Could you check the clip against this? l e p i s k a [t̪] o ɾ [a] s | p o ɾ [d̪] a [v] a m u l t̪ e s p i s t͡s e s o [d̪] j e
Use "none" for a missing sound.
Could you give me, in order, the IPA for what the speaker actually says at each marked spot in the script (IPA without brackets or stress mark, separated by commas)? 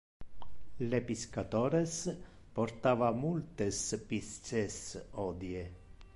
t̪, e, t̪, v, d̪